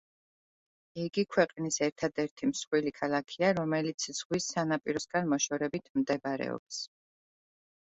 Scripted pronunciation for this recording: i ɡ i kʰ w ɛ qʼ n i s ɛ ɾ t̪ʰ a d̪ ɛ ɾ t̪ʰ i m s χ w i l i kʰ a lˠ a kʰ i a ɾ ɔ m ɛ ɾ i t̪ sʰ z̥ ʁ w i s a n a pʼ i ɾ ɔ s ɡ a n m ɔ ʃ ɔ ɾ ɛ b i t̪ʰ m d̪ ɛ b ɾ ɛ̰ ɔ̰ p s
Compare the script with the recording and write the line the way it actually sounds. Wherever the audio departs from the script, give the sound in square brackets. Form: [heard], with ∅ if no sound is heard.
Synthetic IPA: i ɡ i kʰ w ɛ qʼ n i s ɛ ɾ t̪ʰ a d̪ ɛ ɾ t̪ʰ i m s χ w i l i kʰ a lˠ a kʰ i a ɾ ɔ m ɛ [l] i t̪ sʰ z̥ ʁ w i s a n a pʼ i ɾ ɔ s ɡ a n m ɔ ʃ ɔ ɾ ɛ b i t̪ʰ m d̪ ɛ b ɾ ɛ̰ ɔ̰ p s